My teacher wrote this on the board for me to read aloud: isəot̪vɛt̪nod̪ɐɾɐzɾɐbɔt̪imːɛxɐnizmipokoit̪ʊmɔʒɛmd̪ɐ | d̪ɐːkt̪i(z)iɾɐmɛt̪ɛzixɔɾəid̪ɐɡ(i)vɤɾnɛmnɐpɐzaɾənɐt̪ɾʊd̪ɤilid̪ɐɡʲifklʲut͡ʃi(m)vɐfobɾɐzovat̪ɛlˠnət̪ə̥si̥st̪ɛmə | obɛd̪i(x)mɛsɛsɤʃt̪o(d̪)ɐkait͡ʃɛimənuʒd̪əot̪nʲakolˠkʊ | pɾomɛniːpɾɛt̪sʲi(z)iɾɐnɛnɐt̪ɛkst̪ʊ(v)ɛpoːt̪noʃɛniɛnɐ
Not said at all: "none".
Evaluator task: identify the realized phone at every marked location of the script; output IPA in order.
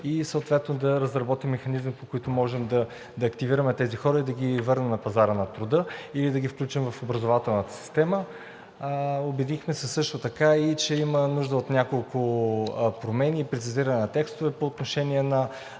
v, i, m, x, t̪, z, v

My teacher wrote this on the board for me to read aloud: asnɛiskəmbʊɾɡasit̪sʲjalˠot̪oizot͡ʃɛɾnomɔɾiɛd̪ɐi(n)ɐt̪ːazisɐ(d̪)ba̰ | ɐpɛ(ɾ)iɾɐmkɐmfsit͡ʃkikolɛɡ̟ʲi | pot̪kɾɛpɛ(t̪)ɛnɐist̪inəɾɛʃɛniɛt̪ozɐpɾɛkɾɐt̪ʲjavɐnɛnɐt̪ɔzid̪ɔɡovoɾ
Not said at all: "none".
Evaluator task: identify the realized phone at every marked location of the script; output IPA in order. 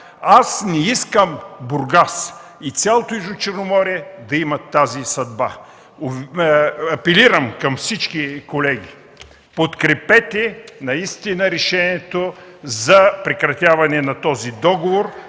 m, d̪, l, t̪

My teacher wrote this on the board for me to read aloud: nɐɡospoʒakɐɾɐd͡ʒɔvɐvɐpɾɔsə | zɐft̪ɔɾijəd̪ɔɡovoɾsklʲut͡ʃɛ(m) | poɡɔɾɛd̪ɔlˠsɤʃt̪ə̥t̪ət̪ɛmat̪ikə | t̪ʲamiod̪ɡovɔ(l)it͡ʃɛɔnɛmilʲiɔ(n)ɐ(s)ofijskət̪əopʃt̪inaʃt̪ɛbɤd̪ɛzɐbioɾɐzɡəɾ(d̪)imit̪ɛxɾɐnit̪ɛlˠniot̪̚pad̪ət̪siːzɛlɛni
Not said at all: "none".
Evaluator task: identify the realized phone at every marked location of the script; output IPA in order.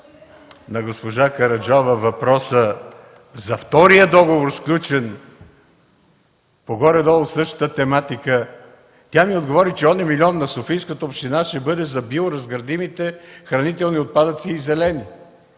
n, ɾ, nː, s, d̪

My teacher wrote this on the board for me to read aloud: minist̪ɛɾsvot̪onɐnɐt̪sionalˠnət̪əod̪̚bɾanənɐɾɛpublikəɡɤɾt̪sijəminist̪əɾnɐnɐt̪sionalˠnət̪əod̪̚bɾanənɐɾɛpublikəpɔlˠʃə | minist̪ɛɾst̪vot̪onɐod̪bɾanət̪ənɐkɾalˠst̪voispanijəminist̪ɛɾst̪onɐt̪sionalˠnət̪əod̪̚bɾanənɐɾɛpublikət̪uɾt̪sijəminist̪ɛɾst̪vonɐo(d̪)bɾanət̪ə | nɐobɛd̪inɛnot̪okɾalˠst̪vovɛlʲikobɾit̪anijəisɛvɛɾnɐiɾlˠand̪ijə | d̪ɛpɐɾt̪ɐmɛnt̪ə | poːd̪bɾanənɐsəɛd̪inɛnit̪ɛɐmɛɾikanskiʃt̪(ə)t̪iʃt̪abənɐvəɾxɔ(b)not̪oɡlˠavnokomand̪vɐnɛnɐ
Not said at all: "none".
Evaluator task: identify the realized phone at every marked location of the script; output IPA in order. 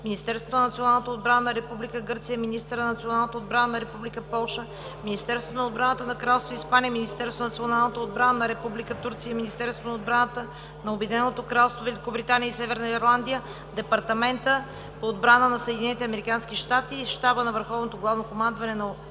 d̪, a, v

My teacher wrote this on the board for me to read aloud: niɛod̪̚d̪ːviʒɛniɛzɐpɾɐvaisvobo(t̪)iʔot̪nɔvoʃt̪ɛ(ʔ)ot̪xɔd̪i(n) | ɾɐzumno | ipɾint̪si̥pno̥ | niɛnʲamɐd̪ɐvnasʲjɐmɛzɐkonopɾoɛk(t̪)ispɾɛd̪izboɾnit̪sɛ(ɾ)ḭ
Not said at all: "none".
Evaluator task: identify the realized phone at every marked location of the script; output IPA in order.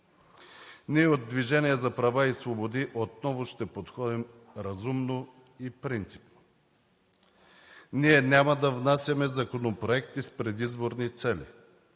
d̪, p, m, t̪, l

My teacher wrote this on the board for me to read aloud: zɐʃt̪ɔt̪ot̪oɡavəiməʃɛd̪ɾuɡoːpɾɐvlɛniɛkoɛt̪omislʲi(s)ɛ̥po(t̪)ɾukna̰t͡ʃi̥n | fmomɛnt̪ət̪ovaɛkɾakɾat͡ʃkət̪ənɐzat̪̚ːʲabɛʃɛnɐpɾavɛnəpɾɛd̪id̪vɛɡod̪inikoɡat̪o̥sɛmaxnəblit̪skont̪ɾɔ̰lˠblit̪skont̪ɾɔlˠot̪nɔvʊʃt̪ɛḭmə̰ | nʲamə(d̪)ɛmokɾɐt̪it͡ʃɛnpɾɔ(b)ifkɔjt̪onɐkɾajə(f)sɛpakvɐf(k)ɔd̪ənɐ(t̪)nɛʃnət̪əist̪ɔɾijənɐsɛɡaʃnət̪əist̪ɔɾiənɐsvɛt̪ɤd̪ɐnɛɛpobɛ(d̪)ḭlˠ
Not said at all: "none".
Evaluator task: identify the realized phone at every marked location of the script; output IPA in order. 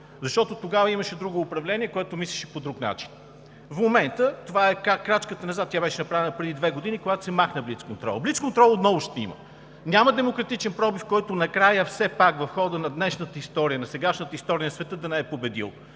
ʃ, d̪, d̪, b, f, x, d̪, d̪

